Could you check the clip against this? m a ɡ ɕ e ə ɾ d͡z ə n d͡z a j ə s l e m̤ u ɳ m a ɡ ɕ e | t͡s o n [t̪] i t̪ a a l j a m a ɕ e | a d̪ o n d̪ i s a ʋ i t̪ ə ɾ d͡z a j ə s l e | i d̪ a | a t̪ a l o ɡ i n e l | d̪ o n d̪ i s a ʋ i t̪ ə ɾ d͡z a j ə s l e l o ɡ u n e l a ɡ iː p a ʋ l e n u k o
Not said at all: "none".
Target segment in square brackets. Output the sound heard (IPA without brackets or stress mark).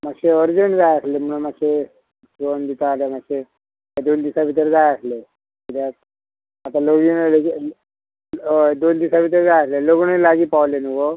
d̪